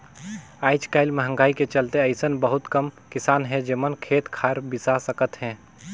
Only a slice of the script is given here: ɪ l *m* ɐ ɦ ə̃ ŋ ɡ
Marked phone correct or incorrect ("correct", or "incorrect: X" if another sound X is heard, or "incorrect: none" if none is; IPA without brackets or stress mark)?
correct